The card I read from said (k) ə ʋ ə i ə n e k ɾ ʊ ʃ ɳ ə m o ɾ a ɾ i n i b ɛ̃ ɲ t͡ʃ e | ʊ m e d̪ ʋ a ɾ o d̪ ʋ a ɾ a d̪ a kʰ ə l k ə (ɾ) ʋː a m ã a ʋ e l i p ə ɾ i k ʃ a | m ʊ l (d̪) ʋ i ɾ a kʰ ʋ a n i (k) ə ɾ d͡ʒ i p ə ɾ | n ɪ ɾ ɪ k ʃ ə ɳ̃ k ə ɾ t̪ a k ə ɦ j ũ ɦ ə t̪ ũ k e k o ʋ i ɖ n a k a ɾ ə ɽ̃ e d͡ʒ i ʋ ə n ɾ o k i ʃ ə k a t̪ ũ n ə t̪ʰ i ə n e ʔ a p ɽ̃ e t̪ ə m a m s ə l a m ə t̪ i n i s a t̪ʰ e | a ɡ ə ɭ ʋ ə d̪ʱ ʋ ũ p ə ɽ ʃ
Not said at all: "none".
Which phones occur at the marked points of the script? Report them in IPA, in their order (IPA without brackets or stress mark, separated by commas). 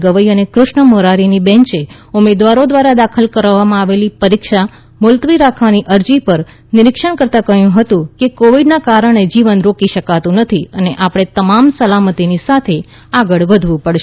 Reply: ɡ, ɾ, t̪, ʔ